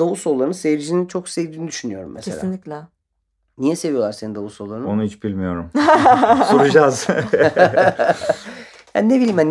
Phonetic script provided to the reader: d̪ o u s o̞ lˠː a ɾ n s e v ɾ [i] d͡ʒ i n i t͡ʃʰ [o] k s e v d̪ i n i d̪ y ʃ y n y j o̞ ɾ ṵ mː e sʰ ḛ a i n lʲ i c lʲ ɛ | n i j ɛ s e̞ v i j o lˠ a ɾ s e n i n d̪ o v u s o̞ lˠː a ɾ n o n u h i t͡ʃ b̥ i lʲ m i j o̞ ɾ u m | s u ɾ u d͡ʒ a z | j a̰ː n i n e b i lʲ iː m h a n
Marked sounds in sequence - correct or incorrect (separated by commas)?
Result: correct, correct